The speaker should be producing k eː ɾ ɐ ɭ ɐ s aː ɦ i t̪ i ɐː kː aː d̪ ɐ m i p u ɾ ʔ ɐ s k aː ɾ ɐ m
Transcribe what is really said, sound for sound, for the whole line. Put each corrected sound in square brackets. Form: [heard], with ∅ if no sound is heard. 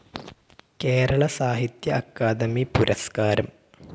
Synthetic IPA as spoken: k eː ɾ ɐ ɭ ɐ s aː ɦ i t̪ [j] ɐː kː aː d̪ ɐ m i p u ɾ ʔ ɐ s k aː ɾ ɐ m